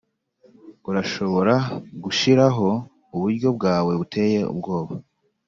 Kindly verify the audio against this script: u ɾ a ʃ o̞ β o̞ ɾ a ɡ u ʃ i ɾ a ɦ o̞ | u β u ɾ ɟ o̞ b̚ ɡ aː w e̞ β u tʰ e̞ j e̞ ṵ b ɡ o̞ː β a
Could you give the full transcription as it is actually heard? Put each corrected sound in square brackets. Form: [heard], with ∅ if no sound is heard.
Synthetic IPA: u ɾ a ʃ o̞ β o̞ ɾ a ɡ u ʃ i ɾ a ɦ o̞ | u β u ɾ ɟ o̞ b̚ ɡ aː w e̞ β u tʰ e̞ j e̞ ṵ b ɡ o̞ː β a